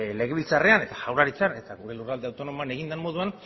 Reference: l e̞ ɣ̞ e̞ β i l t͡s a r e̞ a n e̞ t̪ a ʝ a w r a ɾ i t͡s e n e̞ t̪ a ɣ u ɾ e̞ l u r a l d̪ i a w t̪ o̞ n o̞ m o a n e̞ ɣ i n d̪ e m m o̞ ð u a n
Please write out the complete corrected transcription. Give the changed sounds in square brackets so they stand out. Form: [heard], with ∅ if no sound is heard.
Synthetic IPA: l e̞ ɣ̞ e̞ β i l t͡s a r e̞ a n e̞ t̪ a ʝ a w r a ɾ i t͡s [a] n e̞ t̪ a ɣ u ɾ e̞ l u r a l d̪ [e] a w t̪ o̞ n o̞ m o a n e̞ ɣ i n d̪ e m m o̞ ð u a n